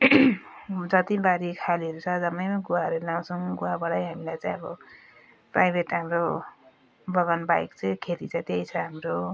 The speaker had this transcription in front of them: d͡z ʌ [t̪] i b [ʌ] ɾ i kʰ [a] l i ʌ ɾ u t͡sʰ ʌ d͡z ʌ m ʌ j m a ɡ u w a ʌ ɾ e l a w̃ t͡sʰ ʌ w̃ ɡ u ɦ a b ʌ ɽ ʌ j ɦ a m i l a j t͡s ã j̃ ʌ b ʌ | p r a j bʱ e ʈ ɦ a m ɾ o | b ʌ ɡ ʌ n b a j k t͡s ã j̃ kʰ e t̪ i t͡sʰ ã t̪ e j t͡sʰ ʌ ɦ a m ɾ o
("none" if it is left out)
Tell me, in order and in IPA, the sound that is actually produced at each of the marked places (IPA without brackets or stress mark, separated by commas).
t̪, a, a